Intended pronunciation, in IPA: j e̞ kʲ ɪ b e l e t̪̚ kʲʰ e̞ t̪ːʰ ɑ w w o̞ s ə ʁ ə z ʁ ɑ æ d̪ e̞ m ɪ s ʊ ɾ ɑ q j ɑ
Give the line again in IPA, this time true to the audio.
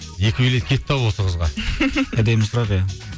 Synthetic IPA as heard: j e̞ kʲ ɪ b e l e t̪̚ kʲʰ e̞ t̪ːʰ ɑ w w o̞ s ə ʁ ə z ʁ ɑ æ d̪ e̞ m ɪ s ʊ ɾ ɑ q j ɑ